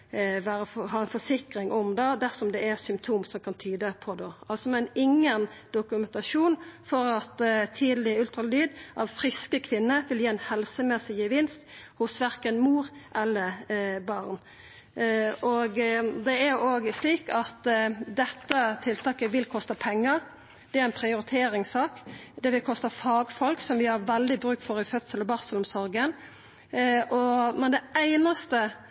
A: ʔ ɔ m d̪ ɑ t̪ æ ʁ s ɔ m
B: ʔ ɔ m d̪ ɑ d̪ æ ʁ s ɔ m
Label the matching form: B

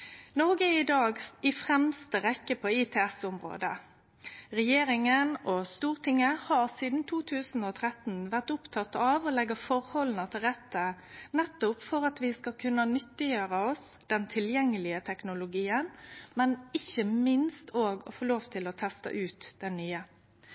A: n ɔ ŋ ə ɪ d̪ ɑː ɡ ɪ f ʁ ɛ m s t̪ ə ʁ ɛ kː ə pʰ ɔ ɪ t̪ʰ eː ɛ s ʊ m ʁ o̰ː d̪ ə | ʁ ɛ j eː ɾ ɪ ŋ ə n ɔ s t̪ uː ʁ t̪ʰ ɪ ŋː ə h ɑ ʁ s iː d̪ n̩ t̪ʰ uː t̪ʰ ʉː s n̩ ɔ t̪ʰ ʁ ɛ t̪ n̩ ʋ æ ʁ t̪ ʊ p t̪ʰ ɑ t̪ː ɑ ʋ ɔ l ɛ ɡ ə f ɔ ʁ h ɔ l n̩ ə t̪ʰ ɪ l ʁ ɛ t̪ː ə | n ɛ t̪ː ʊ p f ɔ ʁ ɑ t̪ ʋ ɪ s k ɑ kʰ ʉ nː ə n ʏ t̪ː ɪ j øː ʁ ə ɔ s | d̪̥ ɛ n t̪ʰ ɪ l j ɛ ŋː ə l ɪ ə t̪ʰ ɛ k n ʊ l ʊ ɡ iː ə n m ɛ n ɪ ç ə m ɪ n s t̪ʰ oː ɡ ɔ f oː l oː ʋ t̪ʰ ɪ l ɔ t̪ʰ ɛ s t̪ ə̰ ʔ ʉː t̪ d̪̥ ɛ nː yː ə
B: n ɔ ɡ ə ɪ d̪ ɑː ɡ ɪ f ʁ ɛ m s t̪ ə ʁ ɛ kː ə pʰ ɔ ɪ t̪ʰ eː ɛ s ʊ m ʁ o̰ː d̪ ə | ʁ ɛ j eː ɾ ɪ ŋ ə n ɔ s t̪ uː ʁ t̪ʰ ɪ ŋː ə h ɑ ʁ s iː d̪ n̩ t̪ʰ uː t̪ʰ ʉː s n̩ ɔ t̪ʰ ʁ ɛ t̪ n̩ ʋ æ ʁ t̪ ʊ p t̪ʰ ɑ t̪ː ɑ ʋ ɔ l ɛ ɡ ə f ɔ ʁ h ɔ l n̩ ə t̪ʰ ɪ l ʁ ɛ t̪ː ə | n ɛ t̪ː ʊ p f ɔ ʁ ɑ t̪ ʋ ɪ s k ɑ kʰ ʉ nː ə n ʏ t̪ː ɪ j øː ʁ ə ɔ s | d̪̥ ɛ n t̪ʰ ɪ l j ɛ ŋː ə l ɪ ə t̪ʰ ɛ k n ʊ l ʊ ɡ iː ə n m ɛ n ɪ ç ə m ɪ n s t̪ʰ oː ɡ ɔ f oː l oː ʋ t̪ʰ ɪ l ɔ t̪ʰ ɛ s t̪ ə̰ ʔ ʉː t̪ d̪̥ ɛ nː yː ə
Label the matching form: B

